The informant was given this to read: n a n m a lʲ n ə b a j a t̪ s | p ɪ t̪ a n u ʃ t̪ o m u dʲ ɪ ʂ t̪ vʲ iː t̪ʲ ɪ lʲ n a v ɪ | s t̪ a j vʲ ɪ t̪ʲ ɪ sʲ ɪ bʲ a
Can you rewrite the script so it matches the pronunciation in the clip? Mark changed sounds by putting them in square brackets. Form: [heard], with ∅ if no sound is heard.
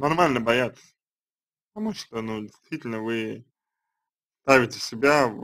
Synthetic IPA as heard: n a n m a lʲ n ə b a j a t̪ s | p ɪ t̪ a [m] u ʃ t̪ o [n] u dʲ ɪ [s] t̪ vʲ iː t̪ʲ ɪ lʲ n [ə] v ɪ | s t̪ a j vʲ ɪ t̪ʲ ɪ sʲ ɪ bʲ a

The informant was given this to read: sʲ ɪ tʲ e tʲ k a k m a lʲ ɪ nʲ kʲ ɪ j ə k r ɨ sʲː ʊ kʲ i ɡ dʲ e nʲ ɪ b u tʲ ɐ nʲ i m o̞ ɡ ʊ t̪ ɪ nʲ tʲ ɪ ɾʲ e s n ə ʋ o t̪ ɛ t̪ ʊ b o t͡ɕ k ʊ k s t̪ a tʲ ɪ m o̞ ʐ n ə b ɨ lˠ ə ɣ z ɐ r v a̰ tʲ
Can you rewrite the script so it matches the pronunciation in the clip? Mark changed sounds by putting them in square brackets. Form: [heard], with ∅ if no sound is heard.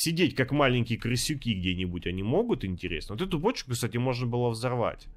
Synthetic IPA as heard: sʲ ɪ [dʲ] e tʲ k a k m a lʲ ɪ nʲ kʲ ɪ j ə k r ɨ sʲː ʊ kʲ i ɡ dʲ e nʲ ɪ b u tʲ ɐ nʲ i m o̞ ɡ ʊ t̪ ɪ nʲ tʲ ɪ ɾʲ e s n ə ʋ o t̪ ɛ t̪ ʊ b o t͡ɕ k ʊ k s t̪ a tʲ ɪ m o̞ ʐ n ə b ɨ lˠ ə [v] z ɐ r v a̰ tʲ

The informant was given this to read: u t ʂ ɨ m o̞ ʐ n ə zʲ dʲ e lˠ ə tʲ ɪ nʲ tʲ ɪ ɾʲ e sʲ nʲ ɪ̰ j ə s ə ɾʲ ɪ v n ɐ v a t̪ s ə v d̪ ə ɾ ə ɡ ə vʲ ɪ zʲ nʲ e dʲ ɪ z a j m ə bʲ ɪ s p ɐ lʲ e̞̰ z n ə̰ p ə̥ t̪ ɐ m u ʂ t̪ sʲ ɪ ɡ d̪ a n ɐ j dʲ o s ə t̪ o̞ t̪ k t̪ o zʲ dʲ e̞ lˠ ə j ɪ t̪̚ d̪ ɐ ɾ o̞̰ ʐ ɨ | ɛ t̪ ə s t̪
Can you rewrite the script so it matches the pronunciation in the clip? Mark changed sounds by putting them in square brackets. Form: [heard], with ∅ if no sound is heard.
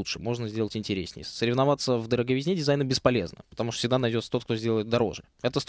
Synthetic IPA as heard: u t ʂ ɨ m o̞ ʐ n ə zʲ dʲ e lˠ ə tʲ ɪ nʲ tʲ ɪ ɾʲ e sʲ nʲ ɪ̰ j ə s ə ɾʲ ɪ v n ɐ v a t̪ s ə v d̪ ə ɾ ə ɡ ə vʲ ɪ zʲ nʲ e dʲ ɪ z a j [n] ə bʲ ɪ s p ɐ lʲ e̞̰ z n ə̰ p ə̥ t̪ ɐ m u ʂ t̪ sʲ ɪ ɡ d̪ a n ɐ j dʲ o s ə t̪ o̞ t̪ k t̪ o zʲ dʲ e̞ lˠ ə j ɪ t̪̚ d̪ ɐ ɾ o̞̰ ʐ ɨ | ɛ t̪ ə s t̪

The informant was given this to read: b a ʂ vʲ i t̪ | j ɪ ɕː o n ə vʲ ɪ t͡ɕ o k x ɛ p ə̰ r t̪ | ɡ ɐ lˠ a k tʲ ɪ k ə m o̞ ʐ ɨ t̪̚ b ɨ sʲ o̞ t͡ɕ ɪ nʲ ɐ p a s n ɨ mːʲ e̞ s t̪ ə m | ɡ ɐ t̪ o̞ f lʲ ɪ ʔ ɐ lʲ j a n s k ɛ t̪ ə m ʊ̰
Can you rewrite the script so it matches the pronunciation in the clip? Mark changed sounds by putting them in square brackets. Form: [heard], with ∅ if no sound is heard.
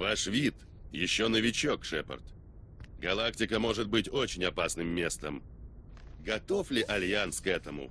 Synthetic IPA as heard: [v] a ʂ vʲ i t̪ | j ɪ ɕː o n ə vʲ ɪ t͡ɕ o k [ʂ] ɛ p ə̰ r t̪ | ɡ ɐ lˠ a k tʲ ɪ k ə m o̞ ʐ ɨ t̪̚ b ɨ [tʲ] o̞ t͡ɕ ɪ nʲ ɐ p a s n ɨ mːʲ e̞ s t̪ ə m | ɡ ɐ t̪ o̞ f lʲ ɪ ʔ ɐ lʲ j a n s k ɛ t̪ ə m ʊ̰

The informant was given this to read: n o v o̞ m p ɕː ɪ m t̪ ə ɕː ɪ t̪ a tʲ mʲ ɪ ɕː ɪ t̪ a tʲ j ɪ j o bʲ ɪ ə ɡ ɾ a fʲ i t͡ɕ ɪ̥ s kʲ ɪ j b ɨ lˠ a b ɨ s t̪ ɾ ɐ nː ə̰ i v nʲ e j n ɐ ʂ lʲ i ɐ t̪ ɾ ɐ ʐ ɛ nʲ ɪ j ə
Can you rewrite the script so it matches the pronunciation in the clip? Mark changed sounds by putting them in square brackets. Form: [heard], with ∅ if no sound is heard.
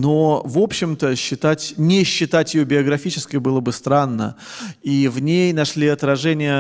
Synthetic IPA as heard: n o v o̞ [∅] p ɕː ɪ m t̪ ə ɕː ɪ t̪ a tʲ [nʲ] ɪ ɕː ɪ t̪ a tʲ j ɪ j o bʲ ɪ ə ɡ ɾ [ɐ] fʲ i t͡ɕ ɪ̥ s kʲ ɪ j b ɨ lˠ [ə] b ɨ s t̪ ɾ [a] nː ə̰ i v nʲ e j n ɐ ʂ lʲ i ɐ t̪ ɾ ɐ ʐ ɛ nʲ ɪ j ə

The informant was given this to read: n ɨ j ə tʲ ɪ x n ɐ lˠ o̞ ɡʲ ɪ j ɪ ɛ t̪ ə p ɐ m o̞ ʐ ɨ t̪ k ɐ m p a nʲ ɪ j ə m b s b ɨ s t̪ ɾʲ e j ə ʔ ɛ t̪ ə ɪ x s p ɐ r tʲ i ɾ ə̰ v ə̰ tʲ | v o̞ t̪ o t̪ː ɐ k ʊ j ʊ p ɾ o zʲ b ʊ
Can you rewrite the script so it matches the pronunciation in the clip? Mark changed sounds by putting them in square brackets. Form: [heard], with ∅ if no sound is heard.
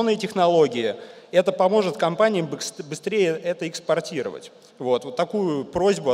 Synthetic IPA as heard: n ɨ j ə tʲ ɪ x n ɐ lˠ o̞ ɡʲ ɪ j ɪ ɛ t̪ ə p ɐ m o̞ ʐ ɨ t̪ k ɐ m p a nʲ ɪ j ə m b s b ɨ s t̪ ɾʲ e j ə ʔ ɛ t̪ ə ɪ [k] s p ɐ r tʲ i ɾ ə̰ v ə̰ tʲ | v o̞ t̪ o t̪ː ɐ k [u] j ʊ p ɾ o zʲ b ʊ

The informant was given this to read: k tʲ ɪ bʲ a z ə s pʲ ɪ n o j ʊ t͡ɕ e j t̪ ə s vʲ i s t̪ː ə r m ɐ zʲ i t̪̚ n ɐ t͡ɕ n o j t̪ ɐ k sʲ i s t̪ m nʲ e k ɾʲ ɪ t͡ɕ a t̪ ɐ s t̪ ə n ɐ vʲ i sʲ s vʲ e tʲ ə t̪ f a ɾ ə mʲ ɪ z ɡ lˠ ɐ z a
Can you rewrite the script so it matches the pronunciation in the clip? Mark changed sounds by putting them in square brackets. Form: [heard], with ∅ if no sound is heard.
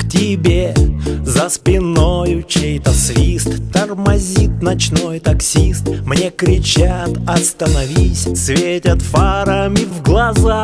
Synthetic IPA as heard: k tʲ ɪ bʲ [e] z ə s pʲ ɪ n o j ʊ t͡ɕ e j t̪ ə s vʲ i s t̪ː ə r m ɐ zʲ i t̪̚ n ɐ t͡ɕ n o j t̪ ɐ k sʲ i s t̪ m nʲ e k ɾʲ ɪ t͡ɕ a t̪ ɐ s t̪ ə n ɐ vʲ i sʲ s vʲ e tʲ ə t̪ f a ɾ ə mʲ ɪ [v] ɡ lˠ ɐ z a

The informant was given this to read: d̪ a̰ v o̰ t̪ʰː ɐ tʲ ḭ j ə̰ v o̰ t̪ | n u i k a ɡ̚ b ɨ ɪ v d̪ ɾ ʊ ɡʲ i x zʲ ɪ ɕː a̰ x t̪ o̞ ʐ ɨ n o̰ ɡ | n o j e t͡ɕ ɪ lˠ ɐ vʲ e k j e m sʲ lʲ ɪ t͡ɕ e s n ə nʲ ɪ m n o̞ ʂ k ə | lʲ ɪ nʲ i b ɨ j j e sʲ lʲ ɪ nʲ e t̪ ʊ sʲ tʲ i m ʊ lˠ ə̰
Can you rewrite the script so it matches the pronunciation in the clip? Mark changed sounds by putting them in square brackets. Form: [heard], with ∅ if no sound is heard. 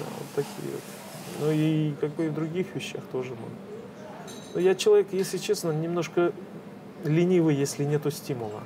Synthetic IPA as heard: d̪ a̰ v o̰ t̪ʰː ɐ [kʲ] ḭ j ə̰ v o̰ t̪ | n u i k a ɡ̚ b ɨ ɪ v d̪ ɾ ʊ ɡʲ i x [vʲ] ɪ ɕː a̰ x t̪ o̞ ʐ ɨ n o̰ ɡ | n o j [a] t͡ɕ ɪ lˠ ɐ vʲ e k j e [∅] sʲ lʲ ɪ t͡ɕ e s n ə nʲ ɪ m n o̞ ʂ k ə | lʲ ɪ nʲ i [v] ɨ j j e sʲ lʲ ɪ nʲ e t̪ ʊ sʲ tʲ i m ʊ lˠ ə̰

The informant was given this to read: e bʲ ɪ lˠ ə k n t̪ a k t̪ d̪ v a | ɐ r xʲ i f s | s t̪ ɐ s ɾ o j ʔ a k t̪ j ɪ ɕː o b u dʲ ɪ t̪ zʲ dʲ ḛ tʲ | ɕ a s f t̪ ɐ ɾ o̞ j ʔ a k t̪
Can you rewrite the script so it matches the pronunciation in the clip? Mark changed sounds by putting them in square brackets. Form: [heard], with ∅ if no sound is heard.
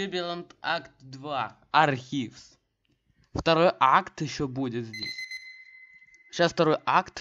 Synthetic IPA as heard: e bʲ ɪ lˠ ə [∅] n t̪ a k t̪ d̪ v a | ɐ r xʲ i f s | [f] t̪ ɐ [∅] ɾ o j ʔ a k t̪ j ɪ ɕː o b u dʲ ɪ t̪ zʲ dʲ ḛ [sʲ] | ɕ a s f t̪ ɐ ɾ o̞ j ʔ a k t̪

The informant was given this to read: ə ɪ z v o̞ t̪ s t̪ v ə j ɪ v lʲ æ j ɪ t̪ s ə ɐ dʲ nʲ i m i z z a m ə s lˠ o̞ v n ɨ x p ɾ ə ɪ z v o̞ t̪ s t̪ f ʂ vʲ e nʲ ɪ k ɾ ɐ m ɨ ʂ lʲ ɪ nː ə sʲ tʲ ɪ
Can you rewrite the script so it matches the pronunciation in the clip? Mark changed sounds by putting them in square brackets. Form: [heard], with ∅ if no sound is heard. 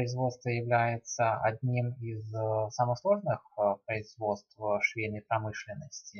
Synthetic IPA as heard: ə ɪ z v o̞ t̪ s t̪ v ə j ɪ v lʲ æ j ɪ t̪ s ə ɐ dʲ nʲ i m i z [s] a m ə s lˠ o̞ [ʐ] n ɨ x p ɾ ə ɪ z v o̞ t̪ s t̪ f ʂ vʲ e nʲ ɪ [p] ɾ ɐ m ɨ ʂ lʲ ɪ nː ə sʲ tʲ ɪ

